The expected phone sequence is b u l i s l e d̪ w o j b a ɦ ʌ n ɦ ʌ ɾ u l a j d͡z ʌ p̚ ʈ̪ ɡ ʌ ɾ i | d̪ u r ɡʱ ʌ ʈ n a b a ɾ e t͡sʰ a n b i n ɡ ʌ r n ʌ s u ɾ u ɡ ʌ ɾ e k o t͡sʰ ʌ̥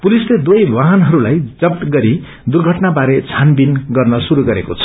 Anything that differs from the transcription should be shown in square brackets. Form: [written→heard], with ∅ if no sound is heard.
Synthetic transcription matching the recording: [b→p] u l i s l e d̪ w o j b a ɦ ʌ n ɦ ʌ ɾ u l a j d͡z ʌ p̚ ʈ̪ ɡ ʌ ɾ i | d̪ u r ɡʱ ʌ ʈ n a b a ɾ e t͡sʰ a n b i n ɡ ʌ r n ʌ s u ɾ u ɡ ʌ ɾ e k o t͡sʰ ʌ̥